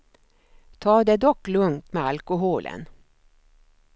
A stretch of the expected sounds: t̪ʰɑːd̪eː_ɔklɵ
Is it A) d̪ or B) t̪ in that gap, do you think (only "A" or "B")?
A